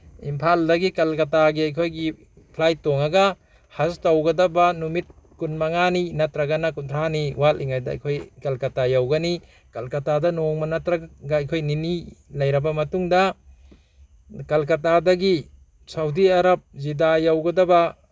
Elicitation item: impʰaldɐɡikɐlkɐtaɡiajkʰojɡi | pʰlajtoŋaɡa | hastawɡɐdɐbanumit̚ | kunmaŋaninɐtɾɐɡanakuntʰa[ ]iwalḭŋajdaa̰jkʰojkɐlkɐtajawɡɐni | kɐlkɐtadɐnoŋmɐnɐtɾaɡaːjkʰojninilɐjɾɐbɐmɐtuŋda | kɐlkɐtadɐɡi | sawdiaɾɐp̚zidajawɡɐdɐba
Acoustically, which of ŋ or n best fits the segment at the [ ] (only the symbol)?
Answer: n